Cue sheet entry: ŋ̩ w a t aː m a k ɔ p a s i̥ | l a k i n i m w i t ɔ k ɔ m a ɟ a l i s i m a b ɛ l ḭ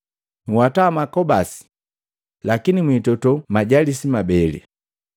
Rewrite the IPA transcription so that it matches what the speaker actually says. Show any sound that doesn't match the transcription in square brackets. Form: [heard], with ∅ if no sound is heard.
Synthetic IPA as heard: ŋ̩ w a t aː m a k ɔ [b] a s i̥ | l a k i n i m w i t ɔ [t] ɔ m a ɟ a l i s i m a b ɛ l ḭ